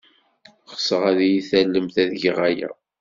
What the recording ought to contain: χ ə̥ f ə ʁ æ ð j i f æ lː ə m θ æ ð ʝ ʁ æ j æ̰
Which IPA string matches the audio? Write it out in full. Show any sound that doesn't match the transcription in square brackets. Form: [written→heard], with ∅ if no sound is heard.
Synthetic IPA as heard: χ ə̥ [f→s] ə ʁ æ ð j i [f→θ] æ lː ə m θ æ ð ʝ ʁ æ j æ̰